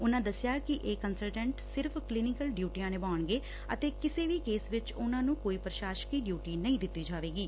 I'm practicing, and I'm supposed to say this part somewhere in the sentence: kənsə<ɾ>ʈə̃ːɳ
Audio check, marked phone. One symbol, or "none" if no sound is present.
l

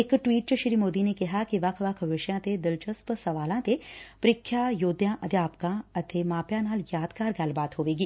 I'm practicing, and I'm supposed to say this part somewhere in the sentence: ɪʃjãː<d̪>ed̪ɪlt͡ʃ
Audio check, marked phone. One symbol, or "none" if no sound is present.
t̪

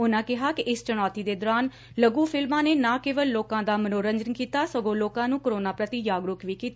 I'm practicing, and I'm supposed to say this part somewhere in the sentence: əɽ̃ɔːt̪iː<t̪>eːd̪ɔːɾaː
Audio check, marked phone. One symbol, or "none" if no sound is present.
d̪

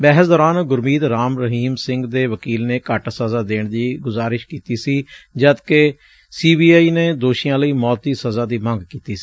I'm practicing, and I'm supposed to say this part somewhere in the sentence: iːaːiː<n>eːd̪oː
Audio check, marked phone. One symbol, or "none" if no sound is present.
n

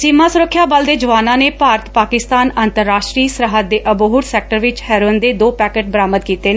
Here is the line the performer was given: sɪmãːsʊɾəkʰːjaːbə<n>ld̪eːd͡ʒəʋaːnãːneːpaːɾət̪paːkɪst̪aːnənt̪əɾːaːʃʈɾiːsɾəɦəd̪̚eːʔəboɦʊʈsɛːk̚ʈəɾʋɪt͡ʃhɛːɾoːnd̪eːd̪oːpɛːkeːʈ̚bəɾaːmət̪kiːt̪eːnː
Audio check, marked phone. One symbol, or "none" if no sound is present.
none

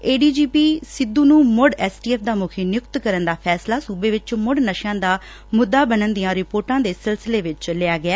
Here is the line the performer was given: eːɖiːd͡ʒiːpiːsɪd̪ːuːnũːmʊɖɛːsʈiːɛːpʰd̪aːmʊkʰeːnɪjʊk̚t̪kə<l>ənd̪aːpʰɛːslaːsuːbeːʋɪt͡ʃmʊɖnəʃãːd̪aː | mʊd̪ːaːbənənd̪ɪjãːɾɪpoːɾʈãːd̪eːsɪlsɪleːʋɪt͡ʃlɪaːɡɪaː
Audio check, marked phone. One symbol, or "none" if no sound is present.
ɾ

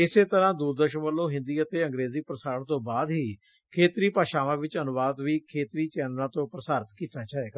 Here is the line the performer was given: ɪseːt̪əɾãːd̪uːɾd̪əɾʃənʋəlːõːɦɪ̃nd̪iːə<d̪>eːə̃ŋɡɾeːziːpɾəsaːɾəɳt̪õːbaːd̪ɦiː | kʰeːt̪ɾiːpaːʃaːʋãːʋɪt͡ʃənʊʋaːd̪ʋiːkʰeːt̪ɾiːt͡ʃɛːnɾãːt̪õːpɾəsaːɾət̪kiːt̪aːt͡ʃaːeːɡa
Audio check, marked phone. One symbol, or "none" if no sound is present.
t̪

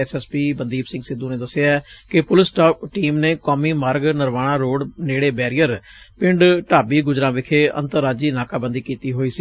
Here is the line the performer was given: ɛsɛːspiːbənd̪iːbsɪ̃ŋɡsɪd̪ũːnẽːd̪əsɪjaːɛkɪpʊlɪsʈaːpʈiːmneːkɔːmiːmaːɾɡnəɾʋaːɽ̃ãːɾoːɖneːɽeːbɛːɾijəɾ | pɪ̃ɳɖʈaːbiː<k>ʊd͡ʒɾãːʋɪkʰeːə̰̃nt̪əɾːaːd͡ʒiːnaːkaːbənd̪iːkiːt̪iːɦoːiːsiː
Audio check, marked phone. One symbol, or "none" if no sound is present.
ɡ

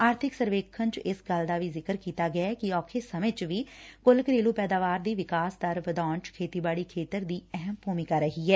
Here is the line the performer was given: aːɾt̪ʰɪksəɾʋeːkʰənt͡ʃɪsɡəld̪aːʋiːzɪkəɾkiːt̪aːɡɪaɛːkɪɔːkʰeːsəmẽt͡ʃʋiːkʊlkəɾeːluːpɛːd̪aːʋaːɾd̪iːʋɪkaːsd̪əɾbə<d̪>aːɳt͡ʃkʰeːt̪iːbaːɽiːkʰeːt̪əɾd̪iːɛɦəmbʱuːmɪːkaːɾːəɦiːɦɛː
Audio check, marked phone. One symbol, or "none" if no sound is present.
d̪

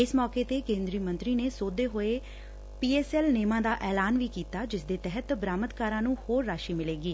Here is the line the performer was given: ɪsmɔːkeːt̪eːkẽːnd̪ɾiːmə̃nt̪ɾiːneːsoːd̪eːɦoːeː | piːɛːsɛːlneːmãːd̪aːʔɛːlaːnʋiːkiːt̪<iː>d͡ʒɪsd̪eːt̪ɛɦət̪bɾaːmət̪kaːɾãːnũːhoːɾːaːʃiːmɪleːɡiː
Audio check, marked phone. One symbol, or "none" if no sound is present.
aː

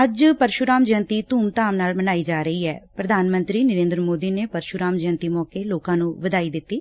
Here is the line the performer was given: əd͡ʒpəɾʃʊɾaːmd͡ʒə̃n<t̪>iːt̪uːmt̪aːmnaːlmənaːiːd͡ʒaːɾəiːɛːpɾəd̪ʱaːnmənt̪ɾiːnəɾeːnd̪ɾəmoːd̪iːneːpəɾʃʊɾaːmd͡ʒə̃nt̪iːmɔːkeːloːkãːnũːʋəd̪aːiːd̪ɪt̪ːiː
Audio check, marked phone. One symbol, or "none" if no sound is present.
t̪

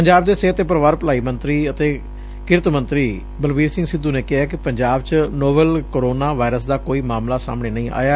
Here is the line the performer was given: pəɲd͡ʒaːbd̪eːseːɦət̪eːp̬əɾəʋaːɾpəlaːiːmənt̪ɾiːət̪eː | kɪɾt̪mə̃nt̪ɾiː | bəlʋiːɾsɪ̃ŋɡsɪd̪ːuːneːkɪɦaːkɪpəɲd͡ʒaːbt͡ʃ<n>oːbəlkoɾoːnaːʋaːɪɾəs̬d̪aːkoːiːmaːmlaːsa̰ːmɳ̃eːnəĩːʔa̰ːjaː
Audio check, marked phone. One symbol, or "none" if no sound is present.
n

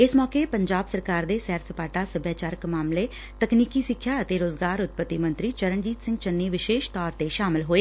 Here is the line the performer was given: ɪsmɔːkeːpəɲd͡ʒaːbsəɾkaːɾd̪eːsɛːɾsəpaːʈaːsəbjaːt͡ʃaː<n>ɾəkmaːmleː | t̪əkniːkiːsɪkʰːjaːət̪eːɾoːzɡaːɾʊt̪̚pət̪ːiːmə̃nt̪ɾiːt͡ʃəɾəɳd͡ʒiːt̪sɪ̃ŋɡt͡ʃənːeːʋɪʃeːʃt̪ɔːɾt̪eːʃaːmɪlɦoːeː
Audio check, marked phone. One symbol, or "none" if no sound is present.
none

